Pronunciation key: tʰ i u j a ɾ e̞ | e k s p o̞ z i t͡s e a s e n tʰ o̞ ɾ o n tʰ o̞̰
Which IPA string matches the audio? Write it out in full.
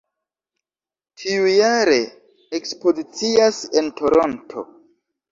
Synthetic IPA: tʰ i u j a ɾ e̞ | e k s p o̞ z i t͡s i a s e n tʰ o̞ ɾ o n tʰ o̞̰